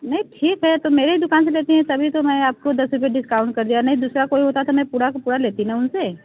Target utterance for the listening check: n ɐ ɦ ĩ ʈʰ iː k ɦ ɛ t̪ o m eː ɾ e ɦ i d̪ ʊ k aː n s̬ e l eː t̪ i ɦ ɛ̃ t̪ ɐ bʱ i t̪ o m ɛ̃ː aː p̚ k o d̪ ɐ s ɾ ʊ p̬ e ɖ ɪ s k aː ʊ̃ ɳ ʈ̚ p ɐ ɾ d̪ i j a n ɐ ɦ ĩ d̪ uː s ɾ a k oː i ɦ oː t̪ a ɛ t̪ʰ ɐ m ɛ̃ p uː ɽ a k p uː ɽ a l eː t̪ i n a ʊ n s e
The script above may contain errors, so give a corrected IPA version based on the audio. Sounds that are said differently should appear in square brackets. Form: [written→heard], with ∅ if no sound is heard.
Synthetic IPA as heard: n ɐ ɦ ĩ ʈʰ iː k ɦ ɛ t̪ o m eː ɾ e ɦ i d̪ ʊ k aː n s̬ e l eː t̪ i ɦ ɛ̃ t̪ ɐ bʱ i t̪ o m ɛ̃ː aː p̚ k o d̪ ɐ s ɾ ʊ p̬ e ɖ ɪ s k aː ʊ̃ ɳ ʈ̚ [p→k] ɐ ɾ d̪ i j a n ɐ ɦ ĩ d̪ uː s ɾ a k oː i ɦ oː t̪ a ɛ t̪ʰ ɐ m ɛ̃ p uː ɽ a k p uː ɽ a l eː t̪ i n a ʊ n s e